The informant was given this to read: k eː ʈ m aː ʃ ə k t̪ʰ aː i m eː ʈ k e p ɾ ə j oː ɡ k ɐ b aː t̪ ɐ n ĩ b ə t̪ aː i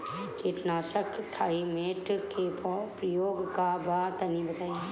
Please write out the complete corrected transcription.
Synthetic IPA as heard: k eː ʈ n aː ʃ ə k t̪ʰ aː i m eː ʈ k e p ɾ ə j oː ɡ k a b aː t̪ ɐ n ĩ b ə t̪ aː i

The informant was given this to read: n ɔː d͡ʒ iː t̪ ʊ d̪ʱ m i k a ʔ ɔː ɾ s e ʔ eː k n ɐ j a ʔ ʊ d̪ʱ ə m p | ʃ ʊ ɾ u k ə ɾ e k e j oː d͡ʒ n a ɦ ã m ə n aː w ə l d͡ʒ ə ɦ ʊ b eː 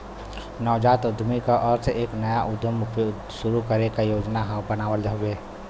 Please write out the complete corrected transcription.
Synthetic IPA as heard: n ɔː d͡ʒ aː t̪ ʊ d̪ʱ m i k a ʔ ɔː ɾ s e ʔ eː k n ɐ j a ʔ ʊ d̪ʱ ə m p | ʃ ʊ ɾ u k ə ɾ e k a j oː d͡ʒ n a ɦ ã b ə n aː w ə l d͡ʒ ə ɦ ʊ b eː

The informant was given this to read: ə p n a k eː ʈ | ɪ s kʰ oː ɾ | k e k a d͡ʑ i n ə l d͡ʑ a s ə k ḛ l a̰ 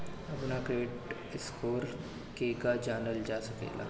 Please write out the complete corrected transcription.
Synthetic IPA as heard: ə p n a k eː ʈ | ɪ s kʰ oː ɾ | k e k a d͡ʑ a n ə l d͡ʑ a s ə k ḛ l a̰

